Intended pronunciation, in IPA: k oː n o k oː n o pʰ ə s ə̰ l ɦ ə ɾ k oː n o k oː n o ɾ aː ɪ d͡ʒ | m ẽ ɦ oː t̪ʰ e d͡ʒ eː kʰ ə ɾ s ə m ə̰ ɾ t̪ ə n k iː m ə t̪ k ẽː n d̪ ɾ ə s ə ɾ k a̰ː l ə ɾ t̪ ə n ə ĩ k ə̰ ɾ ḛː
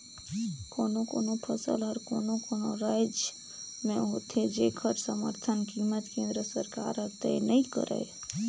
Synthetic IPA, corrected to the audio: k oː n o k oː n o pʰ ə s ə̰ l ɦ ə ɾ k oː n o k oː n o ɾ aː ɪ d͡ʒ | m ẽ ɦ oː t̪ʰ e d͡ʒ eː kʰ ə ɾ s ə m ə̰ ɾ t̪ʰ ə n k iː m ə t̪ k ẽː n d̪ ɾ ə s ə ɾ k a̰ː ɾ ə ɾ t̪ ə n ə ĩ k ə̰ ɾ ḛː